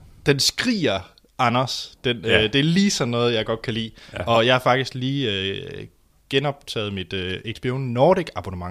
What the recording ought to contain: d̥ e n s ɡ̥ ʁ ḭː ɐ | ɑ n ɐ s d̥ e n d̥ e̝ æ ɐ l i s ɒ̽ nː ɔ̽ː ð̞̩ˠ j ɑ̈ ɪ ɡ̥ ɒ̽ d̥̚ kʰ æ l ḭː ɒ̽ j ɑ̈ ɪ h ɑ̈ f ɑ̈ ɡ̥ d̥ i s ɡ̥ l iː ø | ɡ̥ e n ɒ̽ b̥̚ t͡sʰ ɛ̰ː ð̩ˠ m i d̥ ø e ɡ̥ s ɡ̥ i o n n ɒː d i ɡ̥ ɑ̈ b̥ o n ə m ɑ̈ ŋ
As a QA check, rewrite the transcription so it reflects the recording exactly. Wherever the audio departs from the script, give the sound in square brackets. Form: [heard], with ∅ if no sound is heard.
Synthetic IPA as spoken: d̥ e n s ɡ̥ ʁ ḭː ɐ | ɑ n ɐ s d̥ e n d̥ e̝ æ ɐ l [iː] s ɒ̽ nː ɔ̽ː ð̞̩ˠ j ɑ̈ ɪ ɡ̥ ɒ̽ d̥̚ kʰ æ l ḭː ɒ̽ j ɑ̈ ɪ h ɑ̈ f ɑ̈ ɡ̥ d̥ i s ɡ̥ l iː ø | ɡ̥ e n ɒ̽ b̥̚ t͡sʰ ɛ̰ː ð̩ˠ m i d̥ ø e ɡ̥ s [b̥] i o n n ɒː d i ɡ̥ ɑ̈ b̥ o n ə m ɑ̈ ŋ